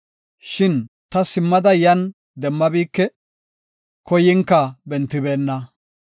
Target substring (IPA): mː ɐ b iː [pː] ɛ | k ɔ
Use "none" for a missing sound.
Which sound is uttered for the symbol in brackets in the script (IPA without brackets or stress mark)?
kː